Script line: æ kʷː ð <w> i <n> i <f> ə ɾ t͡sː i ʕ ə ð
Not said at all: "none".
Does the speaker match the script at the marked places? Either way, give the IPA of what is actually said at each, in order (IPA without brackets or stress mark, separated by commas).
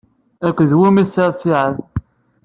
w, m, s